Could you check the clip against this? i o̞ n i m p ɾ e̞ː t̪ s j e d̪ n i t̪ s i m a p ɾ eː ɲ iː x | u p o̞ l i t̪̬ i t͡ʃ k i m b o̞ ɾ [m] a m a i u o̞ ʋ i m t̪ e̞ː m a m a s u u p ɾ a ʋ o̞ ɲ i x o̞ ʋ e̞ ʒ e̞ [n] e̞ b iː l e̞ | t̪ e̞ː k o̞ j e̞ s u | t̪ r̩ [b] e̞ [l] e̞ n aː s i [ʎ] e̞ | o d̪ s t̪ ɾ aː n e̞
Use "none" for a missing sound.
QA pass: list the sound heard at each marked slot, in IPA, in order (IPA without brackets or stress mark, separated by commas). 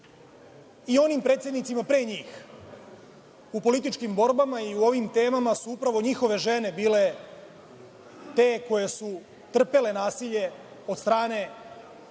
b, n, p, l, ʎ